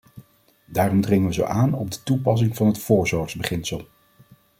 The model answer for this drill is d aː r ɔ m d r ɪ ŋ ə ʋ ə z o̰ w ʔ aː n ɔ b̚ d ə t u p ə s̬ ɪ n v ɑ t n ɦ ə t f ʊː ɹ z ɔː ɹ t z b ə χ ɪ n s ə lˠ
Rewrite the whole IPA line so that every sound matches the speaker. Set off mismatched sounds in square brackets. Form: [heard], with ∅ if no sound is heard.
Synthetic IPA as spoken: d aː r ɔ m d r ɪ ŋ ə ʋ ə z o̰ w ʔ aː n ɔ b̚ d ə t u p [ɑ] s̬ ɪ [ŋ] v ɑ [∅] n ɦ ə t f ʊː ɹ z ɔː ɹ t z b ə χ ɪ n s ə lˠ